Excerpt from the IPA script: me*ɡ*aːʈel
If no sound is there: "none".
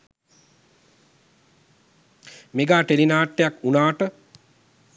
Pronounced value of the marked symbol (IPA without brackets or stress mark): ɡ